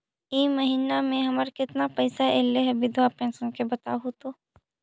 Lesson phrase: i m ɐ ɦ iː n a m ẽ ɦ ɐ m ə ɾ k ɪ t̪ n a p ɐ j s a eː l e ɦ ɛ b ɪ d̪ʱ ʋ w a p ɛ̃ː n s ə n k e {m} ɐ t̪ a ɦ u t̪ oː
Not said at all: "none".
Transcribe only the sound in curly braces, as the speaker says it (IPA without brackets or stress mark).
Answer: b